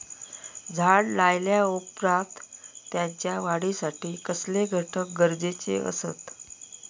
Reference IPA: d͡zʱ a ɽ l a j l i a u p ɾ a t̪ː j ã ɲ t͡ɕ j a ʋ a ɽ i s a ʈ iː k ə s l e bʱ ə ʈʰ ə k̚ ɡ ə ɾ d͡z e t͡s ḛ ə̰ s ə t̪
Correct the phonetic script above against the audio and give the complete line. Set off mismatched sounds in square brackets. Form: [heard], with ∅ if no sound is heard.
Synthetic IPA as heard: d͡zʱ a ɽ l a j l [j] a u p ɾ a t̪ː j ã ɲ t͡ɕ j a ʋ a ɽ i s a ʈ iː k ə s l e [ɡʱ] ə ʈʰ ə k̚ ɡ ə ɾ d͡z e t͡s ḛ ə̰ s ə t̪